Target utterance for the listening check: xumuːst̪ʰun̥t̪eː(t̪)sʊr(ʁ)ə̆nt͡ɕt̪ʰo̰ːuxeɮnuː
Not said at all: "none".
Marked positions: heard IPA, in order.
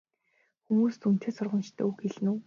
none, ʁ

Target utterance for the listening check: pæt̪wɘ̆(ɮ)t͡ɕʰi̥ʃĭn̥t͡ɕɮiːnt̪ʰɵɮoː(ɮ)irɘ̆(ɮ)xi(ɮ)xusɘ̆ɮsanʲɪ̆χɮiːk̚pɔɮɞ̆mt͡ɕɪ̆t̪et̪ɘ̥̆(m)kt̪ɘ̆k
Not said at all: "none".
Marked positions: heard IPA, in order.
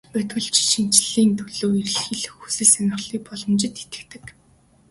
ɮ, none, ɮ, ɮ, none

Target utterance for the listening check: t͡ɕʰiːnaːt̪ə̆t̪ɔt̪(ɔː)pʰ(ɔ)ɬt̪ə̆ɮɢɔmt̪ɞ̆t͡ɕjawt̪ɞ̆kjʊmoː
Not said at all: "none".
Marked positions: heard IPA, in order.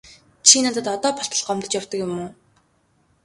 ɔː, ɔ

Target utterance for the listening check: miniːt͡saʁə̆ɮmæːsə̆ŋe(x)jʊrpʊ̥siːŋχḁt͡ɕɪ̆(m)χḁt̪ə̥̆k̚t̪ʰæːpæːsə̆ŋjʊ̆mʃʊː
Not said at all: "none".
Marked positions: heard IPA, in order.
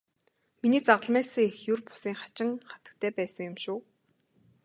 x, ŋ

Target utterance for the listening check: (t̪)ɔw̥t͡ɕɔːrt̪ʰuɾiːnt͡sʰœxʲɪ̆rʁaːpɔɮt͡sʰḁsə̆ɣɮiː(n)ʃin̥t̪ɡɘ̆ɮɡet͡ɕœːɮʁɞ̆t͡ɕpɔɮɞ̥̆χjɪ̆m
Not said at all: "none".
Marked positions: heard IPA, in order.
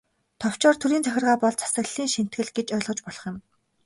t̪ʰ, ŋ

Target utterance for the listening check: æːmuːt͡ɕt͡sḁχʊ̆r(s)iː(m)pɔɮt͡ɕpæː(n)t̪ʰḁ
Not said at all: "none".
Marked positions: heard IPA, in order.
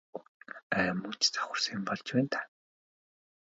s, m, n

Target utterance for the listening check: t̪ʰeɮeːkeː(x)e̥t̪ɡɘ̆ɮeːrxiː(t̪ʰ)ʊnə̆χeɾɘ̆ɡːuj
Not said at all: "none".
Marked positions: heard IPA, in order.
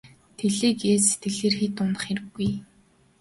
s, t̪

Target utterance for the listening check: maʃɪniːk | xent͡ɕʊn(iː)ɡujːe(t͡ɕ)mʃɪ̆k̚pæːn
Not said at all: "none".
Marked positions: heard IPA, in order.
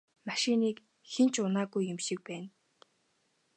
aː, none

